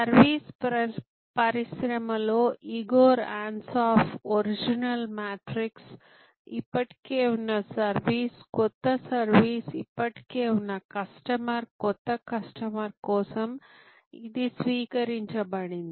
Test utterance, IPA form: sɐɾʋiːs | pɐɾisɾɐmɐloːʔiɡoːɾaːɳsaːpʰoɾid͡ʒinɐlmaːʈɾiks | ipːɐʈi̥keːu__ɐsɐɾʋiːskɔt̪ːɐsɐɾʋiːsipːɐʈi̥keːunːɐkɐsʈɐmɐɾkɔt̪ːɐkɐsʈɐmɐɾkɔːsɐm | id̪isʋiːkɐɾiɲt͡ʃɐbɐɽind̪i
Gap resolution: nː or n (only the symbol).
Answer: nː